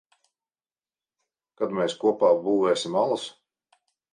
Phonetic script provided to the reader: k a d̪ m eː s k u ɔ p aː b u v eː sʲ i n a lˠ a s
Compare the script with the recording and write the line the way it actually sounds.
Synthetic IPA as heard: k a d̪ m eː s k u ɔ p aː b uː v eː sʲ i m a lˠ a s